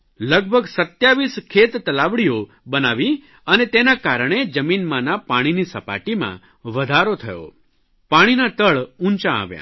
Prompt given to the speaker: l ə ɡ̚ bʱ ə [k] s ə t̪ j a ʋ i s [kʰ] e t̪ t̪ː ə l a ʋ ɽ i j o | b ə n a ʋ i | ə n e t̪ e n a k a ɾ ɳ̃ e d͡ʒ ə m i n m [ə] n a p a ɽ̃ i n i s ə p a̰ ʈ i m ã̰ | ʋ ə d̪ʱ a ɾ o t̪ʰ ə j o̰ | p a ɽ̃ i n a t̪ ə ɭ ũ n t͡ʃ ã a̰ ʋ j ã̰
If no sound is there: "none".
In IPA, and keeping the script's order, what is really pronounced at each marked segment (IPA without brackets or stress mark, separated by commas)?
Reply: ɡ, kʰ, a